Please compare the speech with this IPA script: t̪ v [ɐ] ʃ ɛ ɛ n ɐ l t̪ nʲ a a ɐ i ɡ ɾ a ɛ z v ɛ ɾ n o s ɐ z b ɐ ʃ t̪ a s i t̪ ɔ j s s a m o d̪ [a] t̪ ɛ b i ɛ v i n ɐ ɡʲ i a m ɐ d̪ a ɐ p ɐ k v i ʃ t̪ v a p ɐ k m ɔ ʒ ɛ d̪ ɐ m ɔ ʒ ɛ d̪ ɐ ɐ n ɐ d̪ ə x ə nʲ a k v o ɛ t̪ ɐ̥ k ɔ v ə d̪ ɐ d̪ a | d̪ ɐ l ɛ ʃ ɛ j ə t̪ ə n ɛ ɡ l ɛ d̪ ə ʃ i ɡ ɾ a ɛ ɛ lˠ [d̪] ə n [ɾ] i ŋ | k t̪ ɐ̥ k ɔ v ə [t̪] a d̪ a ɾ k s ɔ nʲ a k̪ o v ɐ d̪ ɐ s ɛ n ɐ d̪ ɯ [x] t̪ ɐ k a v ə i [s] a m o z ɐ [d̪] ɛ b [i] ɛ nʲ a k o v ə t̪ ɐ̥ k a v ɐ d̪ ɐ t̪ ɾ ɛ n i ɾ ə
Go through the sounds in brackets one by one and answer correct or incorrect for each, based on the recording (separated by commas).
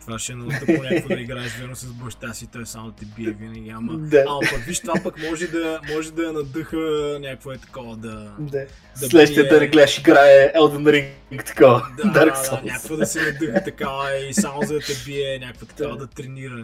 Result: incorrect, incorrect, correct, correct, incorrect, correct, correct, incorrect, correct